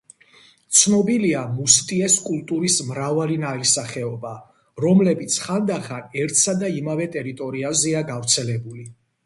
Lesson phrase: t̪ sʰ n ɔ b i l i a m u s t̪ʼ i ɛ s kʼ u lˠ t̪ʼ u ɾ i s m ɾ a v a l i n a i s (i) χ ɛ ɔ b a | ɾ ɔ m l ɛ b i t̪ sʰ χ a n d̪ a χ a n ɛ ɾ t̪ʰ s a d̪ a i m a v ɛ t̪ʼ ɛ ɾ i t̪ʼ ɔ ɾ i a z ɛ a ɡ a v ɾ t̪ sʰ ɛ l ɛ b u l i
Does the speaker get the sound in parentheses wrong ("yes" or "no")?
yes